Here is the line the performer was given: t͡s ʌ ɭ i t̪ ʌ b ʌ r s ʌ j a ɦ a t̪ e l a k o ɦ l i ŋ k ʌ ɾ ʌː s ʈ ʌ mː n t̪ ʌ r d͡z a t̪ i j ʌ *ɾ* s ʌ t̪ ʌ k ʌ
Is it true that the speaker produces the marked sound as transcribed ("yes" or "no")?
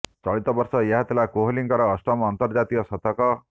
no